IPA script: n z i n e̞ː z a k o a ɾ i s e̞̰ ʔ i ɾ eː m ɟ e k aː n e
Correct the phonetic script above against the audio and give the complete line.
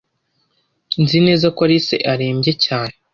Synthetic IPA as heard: n z i n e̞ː z a k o a ɾ i s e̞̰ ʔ a ɾ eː m ɟ e c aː n e